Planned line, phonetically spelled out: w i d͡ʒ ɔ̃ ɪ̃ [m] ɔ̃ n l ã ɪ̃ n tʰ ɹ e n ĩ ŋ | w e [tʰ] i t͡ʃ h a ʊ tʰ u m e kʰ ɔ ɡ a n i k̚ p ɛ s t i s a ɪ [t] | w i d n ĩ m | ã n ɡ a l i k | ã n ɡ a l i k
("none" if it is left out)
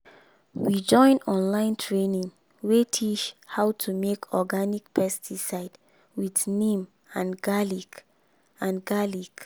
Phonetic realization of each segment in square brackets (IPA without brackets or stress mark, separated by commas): n, tʰ, d